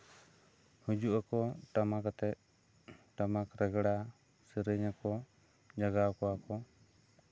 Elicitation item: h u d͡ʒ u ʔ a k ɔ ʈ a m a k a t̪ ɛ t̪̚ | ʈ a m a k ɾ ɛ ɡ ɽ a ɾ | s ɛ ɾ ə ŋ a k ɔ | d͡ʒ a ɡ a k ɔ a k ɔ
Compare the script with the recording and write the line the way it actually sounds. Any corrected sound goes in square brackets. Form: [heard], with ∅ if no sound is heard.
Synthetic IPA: h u d͡ʒ u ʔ a k ɔ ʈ a m a k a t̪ ɛ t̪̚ | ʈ a m a k ɾ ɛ ɡ ɽ a [∅] | s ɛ ɾ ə [ɲ] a k ɔ | d͡ʒ a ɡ a k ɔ a k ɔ